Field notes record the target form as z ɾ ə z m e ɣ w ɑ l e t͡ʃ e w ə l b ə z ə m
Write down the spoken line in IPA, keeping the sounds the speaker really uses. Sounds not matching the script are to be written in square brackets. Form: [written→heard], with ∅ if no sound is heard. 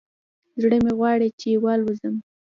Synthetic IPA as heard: z [ɾ→ɽ] ə [z→∅] m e ɣ w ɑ [l→ɽ] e t͡ʃ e w [ə→ɑ] l [b→w] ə z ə m